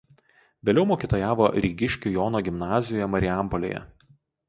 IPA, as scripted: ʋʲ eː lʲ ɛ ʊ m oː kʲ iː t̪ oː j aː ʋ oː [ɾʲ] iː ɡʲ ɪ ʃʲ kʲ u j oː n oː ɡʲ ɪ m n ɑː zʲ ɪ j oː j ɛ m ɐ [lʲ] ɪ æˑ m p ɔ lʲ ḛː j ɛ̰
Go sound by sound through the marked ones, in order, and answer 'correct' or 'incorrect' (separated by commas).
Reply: correct, incorrect